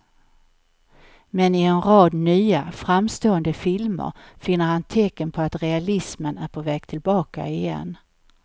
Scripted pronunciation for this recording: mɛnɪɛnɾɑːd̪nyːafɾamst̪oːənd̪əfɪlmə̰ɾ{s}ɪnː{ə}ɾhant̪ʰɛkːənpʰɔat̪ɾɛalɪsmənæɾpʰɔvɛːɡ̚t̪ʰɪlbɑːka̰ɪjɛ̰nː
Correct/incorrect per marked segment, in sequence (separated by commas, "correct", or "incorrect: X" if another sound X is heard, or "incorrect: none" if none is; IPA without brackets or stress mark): incorrect: f, correct